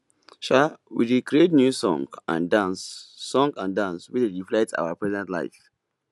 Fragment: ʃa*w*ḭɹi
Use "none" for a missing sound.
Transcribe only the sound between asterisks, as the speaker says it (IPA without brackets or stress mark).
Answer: w